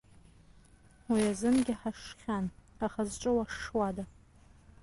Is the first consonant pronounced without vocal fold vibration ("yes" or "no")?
no